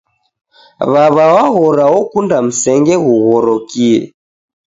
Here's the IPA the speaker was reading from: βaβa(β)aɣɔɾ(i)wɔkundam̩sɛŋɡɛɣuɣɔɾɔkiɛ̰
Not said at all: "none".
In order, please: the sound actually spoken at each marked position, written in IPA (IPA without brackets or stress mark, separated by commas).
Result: w, a